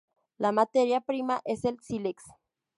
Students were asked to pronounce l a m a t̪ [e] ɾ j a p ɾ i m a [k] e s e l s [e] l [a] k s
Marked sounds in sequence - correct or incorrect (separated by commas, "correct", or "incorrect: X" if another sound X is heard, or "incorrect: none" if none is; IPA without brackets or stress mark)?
correct, incorrect: ʔ, incorrect: i, incorrect: e